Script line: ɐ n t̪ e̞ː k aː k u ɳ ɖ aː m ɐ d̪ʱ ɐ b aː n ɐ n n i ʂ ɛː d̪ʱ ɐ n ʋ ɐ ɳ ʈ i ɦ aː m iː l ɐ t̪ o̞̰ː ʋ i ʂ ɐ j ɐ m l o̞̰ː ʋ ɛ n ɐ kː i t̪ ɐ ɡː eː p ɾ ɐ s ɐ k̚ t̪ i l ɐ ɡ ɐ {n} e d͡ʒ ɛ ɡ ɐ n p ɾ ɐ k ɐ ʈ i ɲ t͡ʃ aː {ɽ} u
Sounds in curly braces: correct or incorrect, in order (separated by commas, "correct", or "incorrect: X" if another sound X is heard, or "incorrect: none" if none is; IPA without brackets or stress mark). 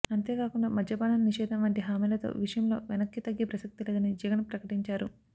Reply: correct, incorrect: ɾ